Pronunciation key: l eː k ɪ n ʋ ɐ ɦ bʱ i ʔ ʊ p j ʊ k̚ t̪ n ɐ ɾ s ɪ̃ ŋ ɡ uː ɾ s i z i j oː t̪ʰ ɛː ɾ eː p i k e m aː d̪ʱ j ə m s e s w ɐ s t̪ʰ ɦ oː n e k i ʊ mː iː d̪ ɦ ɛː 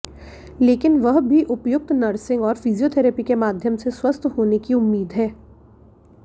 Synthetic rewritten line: l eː k ɪ n ʋ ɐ ɦ bʱ i ʔ ʊ p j ʊ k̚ t̪ n ɐ ɾ s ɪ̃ ŋ ɡ ɔː ɾ f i z i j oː t̪ʰ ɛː ɾ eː p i k e m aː d̪ʱ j ə m s e s w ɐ s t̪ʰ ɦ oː n e k i ʊ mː iː d̪ ɦ ɛː